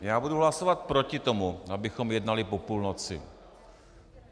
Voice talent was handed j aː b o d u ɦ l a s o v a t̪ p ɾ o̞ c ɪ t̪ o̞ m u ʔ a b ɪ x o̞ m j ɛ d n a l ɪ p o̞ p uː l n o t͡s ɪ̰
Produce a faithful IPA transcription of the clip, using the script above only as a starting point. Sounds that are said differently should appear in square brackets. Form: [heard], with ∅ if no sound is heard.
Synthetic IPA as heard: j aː b [u] d u ɦ l a s o v a t̪ p ɾ o̞ c ɪ t̪ o̞ m u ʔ a b ɪ x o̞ m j ɛ d n a l ɪ p o̞ p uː l n o t͡s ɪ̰